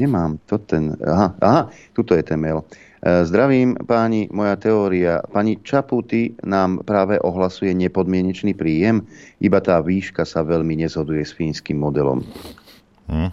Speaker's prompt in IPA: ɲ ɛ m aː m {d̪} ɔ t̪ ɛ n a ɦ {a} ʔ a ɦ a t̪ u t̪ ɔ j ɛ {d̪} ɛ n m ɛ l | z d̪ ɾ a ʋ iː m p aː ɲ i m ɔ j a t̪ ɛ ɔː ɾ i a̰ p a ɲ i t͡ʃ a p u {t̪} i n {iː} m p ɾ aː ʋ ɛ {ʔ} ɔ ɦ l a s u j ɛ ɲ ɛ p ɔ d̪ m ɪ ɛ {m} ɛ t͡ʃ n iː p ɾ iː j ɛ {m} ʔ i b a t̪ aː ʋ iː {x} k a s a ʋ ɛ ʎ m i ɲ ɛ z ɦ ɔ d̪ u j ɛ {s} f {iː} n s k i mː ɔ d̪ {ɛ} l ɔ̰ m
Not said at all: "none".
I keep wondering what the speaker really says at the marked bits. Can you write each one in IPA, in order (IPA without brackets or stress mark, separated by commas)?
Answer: t̪, a, t̪, t̪, aː, ʔ, ɲ, m, ʃ, s, iː, ɛ